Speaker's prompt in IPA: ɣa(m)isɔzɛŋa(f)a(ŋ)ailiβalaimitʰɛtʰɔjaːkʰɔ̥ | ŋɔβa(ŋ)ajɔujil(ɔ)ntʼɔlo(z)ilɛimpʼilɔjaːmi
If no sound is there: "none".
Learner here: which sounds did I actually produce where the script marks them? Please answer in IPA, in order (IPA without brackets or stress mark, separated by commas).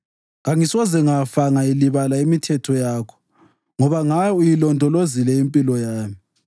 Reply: ŋ, f, ŋ, ŋ, ɔ, z